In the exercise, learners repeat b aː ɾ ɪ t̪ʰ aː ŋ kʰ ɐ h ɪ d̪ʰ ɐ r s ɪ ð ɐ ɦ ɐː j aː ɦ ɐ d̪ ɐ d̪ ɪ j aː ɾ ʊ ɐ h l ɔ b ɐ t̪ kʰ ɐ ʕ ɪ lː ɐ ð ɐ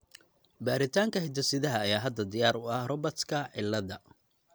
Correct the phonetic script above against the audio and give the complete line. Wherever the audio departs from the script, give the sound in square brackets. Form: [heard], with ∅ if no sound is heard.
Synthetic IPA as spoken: b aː ɾ ɪ t̪ʰ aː ŋ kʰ ɐ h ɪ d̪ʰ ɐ [∅] s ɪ ð ɐ ɦ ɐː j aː ɦ ɐ d̪ ɐ d̪ ɪ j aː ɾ ʊ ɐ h [r] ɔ b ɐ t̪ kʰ ɐ ʕ ɪ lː ɐ ð ɐ